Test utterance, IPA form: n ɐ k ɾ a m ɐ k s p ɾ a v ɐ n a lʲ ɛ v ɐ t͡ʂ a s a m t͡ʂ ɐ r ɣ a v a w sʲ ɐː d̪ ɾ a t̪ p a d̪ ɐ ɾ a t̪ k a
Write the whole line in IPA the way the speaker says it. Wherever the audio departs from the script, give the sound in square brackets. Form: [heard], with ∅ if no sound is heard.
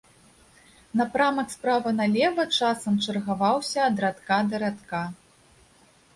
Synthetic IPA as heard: n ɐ [p] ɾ a m ɐ k s p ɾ a v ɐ n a lʲ ɛ v ɐ t͡ʂ a s [ɐ] m t͡ʂ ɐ r ɣ a v a w sʲ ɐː d̪ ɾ a t̪ [k] a d̪ ɐ ɾ a t̪ k a